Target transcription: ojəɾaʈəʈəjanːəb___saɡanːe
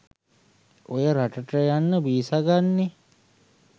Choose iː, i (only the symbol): iː